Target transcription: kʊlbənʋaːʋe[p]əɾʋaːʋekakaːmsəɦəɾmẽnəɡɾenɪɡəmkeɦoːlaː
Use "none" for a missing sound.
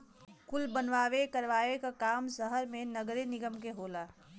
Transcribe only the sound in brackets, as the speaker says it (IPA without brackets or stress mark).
k